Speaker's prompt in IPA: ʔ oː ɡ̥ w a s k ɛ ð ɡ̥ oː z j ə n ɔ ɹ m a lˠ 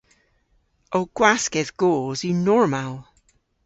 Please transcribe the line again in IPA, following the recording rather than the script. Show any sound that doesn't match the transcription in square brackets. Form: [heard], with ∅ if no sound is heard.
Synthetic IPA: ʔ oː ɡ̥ w a s k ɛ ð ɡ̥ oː z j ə n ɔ ɹ m a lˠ